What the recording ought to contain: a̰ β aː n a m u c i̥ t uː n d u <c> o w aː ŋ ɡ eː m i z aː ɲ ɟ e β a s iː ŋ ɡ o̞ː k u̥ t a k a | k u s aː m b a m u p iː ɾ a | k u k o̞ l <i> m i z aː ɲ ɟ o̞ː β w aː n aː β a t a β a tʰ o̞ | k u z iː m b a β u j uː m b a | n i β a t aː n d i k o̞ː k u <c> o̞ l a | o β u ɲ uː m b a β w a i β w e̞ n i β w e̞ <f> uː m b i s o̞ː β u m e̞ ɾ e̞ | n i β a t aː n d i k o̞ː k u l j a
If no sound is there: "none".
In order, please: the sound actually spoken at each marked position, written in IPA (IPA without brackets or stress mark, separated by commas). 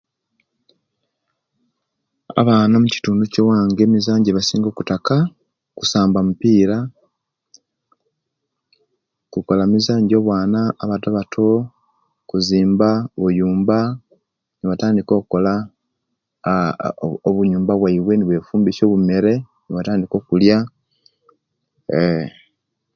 c, a, k, f